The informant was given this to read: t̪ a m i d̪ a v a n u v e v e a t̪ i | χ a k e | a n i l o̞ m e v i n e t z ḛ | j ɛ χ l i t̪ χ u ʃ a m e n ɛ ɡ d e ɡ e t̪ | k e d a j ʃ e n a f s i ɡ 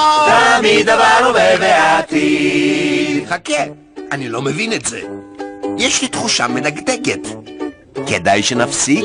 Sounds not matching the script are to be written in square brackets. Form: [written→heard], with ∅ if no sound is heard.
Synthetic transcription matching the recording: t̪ a m i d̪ a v a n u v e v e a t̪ i | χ a k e | a n i l o̞ m e v i n e t z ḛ | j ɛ [χ→ʃ] l i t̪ χ u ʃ a m e n [ɛ→a] ɡ d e ɡ e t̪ | k e d a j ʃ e n a f s i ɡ